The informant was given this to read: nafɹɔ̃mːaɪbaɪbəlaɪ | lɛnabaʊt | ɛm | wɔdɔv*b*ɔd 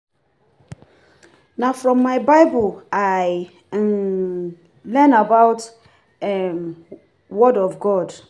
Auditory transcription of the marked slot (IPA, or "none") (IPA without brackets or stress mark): ɡ